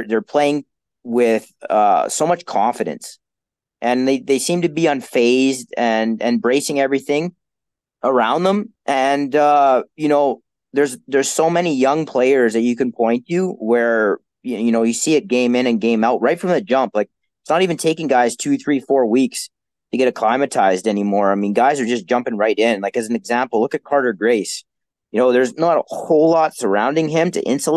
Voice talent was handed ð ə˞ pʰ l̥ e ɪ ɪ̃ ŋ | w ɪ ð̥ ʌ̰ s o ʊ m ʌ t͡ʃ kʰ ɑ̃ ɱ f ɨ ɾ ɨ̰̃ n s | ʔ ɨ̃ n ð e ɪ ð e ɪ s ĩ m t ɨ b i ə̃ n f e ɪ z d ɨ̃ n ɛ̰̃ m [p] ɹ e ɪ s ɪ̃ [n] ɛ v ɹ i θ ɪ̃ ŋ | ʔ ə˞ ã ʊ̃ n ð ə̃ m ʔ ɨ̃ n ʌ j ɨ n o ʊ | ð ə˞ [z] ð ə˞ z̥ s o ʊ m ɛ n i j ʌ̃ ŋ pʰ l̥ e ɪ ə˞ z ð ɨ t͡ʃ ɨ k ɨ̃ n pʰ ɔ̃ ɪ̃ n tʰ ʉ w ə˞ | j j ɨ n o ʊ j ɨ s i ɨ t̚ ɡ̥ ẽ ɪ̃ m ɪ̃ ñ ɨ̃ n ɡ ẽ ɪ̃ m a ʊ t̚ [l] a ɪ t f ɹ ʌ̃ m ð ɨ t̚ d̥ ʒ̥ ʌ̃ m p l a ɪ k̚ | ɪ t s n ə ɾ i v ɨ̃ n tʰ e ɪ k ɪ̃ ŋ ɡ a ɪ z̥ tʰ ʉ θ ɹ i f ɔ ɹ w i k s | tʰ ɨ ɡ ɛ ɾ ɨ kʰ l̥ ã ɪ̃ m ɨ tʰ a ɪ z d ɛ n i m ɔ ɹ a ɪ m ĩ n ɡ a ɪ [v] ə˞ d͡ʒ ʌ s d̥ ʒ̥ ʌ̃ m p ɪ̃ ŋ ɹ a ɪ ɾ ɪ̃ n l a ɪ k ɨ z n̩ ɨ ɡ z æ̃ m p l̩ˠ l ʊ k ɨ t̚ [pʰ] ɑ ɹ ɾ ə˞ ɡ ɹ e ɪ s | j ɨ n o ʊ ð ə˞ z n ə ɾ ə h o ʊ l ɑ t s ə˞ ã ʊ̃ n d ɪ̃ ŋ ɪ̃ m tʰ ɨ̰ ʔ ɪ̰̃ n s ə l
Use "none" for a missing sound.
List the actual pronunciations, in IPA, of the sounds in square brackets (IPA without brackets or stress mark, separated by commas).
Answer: b, ŋ, z, ɹ, z, kʰ